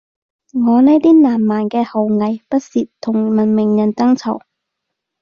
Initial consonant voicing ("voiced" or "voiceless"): voiced